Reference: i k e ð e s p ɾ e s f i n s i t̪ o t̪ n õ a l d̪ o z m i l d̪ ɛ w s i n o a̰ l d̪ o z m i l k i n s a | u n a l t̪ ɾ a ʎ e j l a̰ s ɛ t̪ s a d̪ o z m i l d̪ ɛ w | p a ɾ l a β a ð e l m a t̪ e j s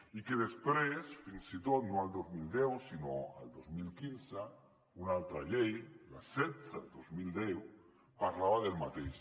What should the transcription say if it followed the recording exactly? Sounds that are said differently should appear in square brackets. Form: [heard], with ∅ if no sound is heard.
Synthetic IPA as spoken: i k e ð e s p ɾ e s f i n s i t̪ o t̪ n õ a l d̪ o z m i l d̪ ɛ w s i n o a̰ l d̪ o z m i l k i n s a | u n a l t̪ ɾ a ʎ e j l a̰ s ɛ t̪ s a d̪ o z m i l d̪ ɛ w | p a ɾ l a β a ð e l m a t̪ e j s